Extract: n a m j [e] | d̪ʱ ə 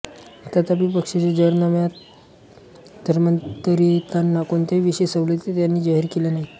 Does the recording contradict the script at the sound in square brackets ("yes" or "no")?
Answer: yes